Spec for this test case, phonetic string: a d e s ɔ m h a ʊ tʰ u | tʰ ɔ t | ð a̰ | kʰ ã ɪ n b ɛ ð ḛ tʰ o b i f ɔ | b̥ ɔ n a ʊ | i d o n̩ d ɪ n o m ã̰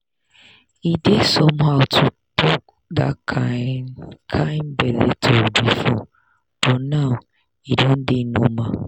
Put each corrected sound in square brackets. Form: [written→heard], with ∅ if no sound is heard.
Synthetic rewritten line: [a→i] d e s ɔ m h a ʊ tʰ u | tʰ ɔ [t→k] | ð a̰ | kʰ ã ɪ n b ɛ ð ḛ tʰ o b i f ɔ | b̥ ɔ n a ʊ | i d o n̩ d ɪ n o m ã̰